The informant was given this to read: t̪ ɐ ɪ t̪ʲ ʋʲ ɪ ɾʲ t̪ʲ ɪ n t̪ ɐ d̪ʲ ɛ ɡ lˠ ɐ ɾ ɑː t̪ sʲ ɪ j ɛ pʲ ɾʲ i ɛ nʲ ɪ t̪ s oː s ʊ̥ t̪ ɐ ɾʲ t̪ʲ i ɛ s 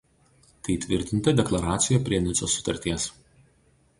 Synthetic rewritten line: t̪ ɐ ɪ t̪ʲ ʋʲ ɪ ɾʲ t̪ʲ ɪ n t̪ ɐ d̪ʲ ɛ k lˠ ɐ ɾ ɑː t̪ sʲ ɪ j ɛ pʲ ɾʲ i ɛ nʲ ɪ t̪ s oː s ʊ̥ t̪ ɐ ɾʲ t̪ʲ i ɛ s